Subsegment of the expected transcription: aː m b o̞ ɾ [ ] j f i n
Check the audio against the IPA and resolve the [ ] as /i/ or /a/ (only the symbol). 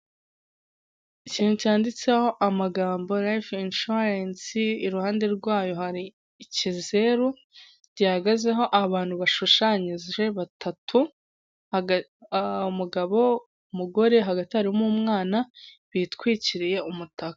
a